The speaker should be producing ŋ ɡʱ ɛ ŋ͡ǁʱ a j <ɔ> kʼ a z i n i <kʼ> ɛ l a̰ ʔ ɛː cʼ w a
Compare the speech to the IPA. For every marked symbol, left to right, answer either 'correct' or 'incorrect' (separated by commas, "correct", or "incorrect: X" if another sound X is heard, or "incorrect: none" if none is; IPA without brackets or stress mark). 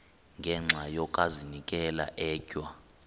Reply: correct, correct